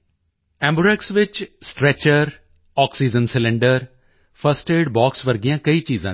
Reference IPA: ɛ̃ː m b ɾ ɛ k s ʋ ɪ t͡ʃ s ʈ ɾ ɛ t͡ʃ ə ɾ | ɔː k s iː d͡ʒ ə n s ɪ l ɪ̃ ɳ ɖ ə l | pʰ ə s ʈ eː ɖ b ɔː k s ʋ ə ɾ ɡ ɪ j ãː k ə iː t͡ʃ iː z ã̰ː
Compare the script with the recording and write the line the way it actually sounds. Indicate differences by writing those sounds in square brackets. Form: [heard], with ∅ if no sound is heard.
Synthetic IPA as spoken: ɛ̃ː m b ɾ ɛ k s ʋ ɪ t͡ʃ s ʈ ɾ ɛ t͡ʃ ə ɾ | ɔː k s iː d͡ʒ ə n s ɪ l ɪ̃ ɳ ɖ ə [ɾ] | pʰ ə s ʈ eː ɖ b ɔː k s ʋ ə ɾ ɡ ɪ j ãː k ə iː t͡ʃ iː z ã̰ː